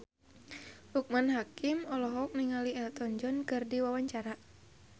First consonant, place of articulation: glottal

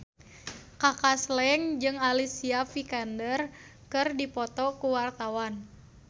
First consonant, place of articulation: velar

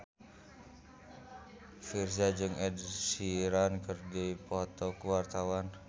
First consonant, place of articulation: labial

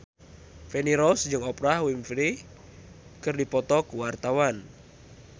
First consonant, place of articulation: labial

